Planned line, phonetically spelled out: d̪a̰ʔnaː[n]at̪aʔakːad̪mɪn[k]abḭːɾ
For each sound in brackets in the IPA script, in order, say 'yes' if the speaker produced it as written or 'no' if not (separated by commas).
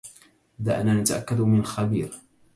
yes, no